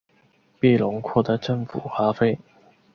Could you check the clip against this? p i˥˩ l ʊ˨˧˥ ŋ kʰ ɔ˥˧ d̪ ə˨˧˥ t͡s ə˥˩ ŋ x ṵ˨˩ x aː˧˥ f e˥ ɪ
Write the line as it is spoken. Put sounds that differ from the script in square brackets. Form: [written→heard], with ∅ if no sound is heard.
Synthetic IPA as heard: p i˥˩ l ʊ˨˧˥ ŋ kʰ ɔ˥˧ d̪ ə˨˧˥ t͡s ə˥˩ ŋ [x→f] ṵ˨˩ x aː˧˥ f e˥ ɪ